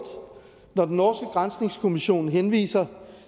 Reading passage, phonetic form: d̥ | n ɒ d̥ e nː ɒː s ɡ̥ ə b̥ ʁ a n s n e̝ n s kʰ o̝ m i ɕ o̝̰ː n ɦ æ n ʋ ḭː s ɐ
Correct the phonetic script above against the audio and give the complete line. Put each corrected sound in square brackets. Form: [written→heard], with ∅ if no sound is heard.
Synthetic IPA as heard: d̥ | n ɒ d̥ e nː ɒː s ɡ̥ ə [b̥→ɡ̥] ʁ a n s n e̝ [n→ŋ] s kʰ o̝ m i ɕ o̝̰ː n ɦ [æ→e] n ʋ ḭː s ɐ